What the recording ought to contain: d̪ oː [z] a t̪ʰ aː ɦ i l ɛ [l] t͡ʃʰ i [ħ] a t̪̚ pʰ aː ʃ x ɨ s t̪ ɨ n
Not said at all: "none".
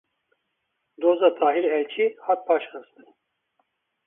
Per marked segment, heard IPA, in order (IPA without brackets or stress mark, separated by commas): z, l, h